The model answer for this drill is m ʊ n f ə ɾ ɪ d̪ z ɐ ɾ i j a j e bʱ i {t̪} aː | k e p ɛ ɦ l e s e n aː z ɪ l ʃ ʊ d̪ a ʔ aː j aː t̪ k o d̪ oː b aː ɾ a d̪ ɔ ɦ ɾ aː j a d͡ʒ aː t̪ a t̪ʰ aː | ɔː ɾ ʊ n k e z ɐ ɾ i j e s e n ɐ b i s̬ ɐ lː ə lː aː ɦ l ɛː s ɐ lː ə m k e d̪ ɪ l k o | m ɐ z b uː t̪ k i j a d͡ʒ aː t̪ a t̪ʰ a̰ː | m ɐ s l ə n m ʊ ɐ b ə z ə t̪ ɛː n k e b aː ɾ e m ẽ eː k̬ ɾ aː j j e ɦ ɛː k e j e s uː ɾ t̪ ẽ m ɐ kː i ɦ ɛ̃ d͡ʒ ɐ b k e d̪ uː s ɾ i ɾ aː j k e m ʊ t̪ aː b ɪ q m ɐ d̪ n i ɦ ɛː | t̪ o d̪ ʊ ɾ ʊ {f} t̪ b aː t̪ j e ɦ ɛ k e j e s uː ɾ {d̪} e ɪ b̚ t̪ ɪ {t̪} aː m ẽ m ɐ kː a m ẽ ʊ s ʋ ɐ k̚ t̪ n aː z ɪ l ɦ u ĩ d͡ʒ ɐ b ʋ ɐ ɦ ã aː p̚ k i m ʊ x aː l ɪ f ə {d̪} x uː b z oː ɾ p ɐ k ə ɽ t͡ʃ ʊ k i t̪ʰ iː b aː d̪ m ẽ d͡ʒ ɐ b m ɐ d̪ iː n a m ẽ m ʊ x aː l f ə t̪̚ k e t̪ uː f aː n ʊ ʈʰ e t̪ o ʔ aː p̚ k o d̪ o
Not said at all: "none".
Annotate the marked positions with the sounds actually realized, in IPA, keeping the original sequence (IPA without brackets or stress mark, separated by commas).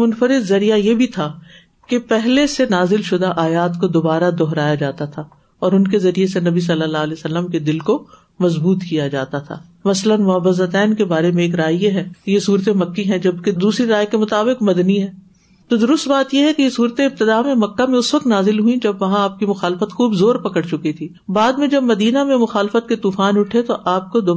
t̪ʰ, s, t̪, d̪, t̪